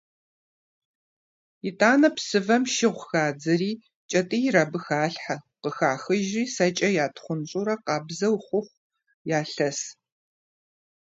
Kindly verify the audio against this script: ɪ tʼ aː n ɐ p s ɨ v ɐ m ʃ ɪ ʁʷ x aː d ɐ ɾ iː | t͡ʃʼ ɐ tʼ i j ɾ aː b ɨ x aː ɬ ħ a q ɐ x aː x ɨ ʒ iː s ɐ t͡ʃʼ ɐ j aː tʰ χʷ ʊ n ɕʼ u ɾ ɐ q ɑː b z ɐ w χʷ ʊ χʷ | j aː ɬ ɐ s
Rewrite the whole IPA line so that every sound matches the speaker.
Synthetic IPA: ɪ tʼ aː n ɐ p s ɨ v ɐ m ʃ ɪ ʁʷ x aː d͡z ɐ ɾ iː | t͡ʃʼ ɐ tʼ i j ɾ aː b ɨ x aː ɬ ħ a q ə x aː x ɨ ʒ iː s ɐ t͡ʃʼ ɐ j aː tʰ χʷ ʊ n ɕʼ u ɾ ɐ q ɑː b z ɐ w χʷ ʊ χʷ | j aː ɬ ɐ s